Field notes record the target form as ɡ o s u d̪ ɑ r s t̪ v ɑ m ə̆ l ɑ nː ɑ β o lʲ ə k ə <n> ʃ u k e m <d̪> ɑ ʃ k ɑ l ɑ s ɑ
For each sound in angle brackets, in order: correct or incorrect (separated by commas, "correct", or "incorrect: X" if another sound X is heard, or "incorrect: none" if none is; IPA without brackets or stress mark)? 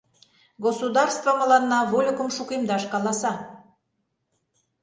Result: incorrect: m, correct